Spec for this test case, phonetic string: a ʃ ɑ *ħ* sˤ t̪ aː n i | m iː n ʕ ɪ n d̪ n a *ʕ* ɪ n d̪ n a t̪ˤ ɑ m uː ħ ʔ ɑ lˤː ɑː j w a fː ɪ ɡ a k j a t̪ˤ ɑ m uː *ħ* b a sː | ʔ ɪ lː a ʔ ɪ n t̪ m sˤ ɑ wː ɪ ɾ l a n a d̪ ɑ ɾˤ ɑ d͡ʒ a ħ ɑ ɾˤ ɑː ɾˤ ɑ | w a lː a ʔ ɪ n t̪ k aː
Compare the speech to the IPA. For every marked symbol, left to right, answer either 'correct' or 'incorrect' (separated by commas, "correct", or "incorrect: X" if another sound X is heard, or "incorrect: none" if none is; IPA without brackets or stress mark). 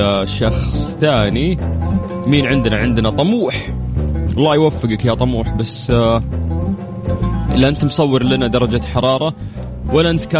incorrect: x, correct, correct